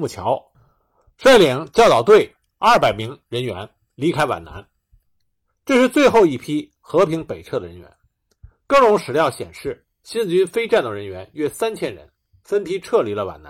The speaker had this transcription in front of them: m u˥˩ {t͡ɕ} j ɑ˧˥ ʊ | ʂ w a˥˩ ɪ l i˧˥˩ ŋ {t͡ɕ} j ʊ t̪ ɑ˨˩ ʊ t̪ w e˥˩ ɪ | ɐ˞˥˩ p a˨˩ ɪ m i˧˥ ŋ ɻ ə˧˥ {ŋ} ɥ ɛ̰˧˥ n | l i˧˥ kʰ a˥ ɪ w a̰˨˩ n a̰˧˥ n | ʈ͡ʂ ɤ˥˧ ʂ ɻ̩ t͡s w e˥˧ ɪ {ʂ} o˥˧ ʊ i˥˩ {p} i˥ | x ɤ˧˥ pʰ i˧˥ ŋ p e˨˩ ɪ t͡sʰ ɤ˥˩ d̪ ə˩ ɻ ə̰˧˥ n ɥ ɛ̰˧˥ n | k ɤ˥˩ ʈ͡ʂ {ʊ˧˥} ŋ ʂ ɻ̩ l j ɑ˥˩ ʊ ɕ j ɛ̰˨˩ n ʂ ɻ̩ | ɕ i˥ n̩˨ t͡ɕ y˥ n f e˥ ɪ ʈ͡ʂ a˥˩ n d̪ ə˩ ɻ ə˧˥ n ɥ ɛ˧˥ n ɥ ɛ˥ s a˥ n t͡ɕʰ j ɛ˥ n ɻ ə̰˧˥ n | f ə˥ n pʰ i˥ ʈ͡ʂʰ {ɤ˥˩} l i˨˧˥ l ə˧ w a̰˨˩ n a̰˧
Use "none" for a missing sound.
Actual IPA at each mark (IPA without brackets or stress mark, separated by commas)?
t͡ɕʰ, t͡ɕ, n, x, pʰ, ʊ˧˥, ɤ˥˩